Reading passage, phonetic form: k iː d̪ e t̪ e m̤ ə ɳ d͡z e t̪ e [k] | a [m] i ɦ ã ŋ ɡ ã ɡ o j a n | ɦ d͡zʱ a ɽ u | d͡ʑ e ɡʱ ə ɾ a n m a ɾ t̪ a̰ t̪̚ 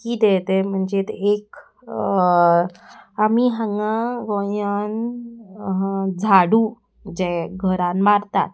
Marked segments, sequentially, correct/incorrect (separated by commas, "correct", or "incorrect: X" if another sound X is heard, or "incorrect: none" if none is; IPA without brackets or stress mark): correct, correct